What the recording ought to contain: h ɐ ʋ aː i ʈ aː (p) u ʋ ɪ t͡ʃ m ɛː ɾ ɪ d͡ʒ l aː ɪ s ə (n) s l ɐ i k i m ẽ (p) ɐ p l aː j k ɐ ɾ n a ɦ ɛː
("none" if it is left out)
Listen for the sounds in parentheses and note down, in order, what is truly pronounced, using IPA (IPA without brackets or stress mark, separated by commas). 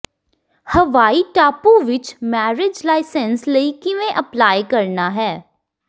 p, n, ʔ